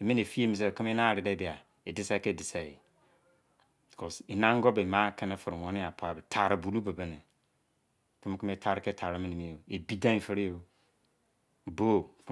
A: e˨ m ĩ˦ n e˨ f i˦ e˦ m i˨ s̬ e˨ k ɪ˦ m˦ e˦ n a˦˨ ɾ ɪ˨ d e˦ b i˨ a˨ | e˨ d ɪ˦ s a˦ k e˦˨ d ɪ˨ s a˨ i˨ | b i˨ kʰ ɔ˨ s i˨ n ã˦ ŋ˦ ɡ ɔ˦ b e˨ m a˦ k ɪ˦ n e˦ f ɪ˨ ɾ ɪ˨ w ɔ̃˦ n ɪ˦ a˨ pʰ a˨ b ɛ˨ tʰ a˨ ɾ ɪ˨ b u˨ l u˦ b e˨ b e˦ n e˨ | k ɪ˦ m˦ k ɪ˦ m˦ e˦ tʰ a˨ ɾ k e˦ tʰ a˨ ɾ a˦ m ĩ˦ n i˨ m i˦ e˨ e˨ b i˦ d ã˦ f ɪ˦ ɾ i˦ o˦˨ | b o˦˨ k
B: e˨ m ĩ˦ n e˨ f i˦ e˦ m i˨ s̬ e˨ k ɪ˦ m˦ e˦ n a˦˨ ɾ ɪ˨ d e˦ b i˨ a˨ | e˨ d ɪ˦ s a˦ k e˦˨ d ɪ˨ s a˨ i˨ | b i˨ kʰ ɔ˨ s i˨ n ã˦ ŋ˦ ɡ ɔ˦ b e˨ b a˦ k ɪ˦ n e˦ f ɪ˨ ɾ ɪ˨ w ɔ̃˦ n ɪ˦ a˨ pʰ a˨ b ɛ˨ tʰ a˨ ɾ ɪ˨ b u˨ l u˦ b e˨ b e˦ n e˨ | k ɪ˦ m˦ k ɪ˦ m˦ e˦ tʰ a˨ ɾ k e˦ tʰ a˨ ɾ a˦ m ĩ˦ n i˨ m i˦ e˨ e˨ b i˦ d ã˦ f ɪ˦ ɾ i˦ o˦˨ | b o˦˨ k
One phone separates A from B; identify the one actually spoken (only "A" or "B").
A